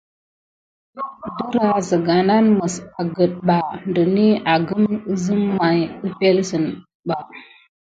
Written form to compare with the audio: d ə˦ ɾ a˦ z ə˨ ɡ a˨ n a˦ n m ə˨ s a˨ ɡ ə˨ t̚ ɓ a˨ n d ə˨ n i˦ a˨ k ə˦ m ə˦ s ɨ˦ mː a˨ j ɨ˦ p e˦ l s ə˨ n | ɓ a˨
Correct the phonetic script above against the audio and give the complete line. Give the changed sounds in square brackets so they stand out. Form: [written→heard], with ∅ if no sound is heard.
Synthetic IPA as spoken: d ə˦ ɾ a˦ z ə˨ ɡ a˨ n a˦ n m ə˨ s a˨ ɡ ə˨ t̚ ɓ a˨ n d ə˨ n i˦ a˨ [k→ɡ] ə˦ m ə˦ [s→z] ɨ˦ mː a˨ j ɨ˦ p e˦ l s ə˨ n | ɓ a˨

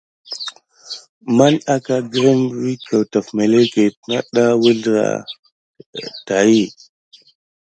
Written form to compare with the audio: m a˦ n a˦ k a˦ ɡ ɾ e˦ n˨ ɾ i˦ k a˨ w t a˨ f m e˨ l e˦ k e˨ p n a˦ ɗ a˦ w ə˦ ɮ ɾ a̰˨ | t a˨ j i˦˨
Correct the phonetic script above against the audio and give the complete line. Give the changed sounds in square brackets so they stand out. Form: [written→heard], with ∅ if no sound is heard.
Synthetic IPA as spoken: m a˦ n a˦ k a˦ ɡ ɾ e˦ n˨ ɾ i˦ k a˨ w t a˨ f m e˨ l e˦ k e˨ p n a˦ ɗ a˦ w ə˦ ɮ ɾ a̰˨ | t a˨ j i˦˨

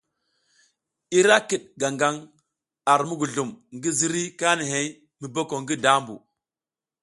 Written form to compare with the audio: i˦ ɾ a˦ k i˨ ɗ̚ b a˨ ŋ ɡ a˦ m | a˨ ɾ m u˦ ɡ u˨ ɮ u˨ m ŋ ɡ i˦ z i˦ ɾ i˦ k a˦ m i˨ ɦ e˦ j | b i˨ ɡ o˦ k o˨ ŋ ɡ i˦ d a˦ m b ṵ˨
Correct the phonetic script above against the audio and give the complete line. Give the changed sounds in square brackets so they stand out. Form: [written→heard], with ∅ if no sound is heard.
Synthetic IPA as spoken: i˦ ɾ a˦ k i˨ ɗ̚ [b→ɡ] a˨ ŋ ɡ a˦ [m→ŋ] | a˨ ɾ m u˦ ɡ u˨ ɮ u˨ m ŋ ɡ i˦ z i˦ ɾ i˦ k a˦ [m→n] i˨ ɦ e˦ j | [b→m] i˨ [ɡ→b] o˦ k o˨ ŋ ɡ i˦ d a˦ m b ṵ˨

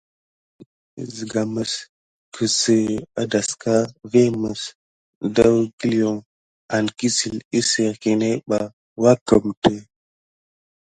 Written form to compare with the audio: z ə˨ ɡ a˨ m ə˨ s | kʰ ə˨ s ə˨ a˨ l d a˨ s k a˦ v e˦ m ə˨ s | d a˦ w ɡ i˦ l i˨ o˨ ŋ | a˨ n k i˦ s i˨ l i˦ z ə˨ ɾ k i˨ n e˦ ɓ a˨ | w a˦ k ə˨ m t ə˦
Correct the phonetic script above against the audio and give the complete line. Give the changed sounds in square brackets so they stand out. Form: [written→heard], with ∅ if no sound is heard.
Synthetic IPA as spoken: z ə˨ ɡ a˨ m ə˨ s | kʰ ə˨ s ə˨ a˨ [l→∅] d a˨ s k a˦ v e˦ m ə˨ s | d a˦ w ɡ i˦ l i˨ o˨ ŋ | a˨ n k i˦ s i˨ l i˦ [z→s] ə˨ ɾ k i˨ n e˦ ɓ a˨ | w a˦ k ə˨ m t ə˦

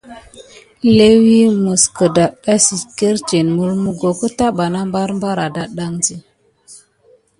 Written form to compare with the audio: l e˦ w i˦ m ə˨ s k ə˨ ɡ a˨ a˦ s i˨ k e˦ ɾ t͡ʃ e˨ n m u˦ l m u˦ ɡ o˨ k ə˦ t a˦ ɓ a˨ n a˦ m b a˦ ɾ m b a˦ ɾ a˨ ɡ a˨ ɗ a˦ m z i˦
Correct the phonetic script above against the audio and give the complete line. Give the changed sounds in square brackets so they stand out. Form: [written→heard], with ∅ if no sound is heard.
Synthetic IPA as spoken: l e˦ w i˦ m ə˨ s k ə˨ [ɡ→d] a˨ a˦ s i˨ k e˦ ɾ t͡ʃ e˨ n m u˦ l m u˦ ɡ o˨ k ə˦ t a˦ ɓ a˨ n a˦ m b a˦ ɾ m b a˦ ɾ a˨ [ɡ→d] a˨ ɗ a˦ [m→ŋ] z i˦

